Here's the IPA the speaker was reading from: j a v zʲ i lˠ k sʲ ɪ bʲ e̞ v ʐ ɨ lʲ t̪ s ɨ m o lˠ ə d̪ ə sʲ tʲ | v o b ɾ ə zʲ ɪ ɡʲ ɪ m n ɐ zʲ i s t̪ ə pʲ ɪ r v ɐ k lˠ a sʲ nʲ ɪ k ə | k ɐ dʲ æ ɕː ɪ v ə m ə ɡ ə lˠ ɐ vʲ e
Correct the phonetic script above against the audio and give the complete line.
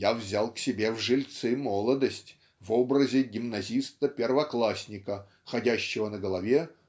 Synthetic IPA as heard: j a v zʲ a lˠ k sʲ ɪ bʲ e̞ v ʐ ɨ lʲ t̪ s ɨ m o lˠ ə d̪ ə sʲ tʲ | v o b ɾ ə zʲ ɪ ɡʲ ɪ m n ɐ zʲ i s t̪ ə pʲ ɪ r v ɐ k lˠ a sʲ nʲ ɪ k ə | x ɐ dʲ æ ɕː ɪ v ə n ə ɡ ə lˠ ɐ vʲ e